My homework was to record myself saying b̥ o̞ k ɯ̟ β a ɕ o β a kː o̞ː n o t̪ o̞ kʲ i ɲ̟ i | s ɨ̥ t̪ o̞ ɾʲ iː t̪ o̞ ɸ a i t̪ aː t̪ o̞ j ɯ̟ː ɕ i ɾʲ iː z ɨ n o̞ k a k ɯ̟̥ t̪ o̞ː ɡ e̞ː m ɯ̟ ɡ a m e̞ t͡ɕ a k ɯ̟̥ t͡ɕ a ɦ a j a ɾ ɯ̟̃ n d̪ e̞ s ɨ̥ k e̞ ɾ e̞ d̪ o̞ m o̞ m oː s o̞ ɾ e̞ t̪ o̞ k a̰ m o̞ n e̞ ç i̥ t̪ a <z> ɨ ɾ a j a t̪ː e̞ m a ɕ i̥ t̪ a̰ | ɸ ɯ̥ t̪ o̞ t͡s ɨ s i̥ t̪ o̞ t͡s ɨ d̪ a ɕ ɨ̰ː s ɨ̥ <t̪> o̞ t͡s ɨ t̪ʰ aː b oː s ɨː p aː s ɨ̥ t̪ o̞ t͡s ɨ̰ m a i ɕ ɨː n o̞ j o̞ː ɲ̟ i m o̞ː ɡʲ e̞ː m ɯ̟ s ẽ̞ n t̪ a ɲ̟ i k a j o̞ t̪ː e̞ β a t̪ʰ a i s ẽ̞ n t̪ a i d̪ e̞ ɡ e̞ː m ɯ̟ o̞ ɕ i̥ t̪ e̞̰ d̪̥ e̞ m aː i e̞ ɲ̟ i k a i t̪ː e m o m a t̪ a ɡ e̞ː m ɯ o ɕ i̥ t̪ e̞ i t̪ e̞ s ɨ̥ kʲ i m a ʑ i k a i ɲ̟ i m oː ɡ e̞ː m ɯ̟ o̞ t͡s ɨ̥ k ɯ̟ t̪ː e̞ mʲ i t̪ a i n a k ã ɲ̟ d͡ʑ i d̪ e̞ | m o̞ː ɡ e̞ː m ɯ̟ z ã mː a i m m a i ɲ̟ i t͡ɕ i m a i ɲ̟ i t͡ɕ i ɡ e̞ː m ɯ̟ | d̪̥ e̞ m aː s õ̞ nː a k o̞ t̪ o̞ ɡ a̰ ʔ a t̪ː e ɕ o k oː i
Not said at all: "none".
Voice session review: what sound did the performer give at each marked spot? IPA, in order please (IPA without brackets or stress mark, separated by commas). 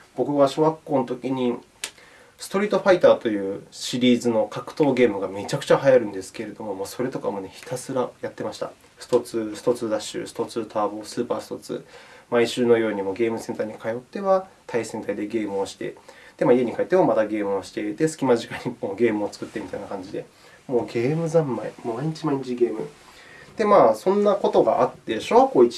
s, t̪